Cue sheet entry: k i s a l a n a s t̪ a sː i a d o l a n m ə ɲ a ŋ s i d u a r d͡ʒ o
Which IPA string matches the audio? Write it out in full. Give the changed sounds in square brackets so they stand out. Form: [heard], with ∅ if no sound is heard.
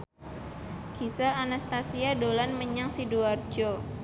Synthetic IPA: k i s a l a n a s t̪ a [s] i a d o l a n m ə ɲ a ŋ s i d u a r d͡ʒ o